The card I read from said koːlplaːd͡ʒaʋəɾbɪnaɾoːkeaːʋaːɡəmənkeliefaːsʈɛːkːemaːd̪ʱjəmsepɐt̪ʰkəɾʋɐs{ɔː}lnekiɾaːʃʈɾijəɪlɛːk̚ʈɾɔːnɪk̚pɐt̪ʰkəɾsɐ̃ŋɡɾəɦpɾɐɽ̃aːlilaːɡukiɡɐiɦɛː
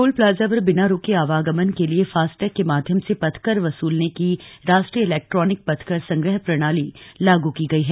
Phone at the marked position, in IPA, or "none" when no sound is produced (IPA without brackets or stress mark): uː